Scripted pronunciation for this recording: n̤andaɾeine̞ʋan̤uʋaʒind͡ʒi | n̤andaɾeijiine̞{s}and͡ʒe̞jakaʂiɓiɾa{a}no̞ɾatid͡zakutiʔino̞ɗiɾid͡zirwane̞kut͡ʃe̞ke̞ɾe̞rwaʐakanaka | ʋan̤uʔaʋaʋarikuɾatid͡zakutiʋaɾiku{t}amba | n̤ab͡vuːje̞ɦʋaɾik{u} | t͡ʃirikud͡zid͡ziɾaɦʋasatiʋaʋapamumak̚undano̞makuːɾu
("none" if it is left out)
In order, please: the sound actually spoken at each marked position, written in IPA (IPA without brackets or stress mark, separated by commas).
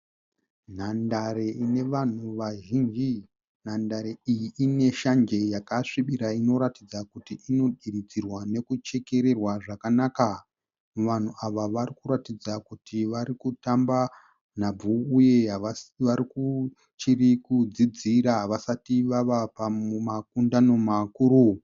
ʃ, i, t, u